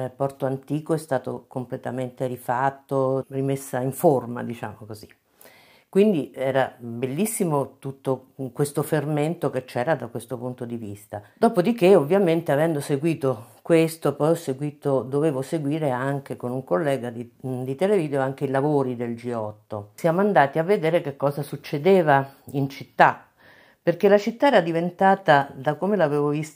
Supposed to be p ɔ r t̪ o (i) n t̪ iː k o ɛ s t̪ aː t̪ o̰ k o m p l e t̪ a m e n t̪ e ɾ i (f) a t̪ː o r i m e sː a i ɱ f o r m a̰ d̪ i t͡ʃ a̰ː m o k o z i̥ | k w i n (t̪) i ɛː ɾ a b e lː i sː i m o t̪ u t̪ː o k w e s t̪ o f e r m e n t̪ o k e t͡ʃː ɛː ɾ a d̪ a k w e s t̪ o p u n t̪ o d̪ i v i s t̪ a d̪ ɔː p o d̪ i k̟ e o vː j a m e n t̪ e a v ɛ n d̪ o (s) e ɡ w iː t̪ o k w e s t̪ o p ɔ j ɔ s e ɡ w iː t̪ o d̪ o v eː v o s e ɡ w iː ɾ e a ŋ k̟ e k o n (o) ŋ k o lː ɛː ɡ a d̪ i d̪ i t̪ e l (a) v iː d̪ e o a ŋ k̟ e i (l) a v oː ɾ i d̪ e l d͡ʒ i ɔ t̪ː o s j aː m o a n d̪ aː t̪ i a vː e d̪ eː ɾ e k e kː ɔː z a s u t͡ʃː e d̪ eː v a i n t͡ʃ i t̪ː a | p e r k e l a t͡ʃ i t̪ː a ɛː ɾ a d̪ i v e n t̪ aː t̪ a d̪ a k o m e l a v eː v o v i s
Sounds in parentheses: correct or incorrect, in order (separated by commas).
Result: incorrect, correct, incorrect, correct, incorrect, incorrect, correct